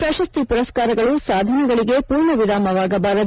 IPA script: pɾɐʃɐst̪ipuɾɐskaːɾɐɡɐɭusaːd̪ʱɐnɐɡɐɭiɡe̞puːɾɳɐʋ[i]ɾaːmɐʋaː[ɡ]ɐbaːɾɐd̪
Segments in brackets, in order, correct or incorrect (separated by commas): correct, correct